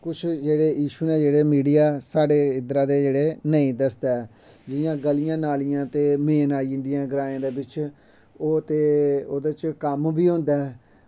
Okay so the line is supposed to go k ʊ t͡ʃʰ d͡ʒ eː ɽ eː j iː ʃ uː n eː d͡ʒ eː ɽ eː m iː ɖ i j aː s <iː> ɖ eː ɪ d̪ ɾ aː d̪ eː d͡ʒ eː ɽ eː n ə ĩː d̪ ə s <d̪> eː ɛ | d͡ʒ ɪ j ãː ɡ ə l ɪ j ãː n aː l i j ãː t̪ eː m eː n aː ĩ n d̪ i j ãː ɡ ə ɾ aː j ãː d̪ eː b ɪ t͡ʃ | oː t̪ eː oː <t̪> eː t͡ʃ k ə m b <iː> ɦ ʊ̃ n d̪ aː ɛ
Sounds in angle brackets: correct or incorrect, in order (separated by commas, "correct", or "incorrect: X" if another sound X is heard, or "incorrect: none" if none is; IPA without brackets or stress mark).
incorrect: aː, correct, incorrect: d̪, correct